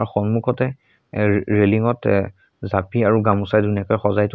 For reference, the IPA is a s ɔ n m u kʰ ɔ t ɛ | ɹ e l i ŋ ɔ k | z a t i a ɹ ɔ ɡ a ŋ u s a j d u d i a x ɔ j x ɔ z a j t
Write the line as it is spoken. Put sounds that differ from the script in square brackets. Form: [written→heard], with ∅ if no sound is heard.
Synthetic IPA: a [s→x] ɔ n m u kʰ ɔ t ɛ | ɹ e l i ŋ ɔ [k→t] | z a [t→p] i a ɹ [ɔ→u] ɡ a [ŋ→m] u s a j d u [d→n] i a [x→k] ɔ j x ɔ z a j t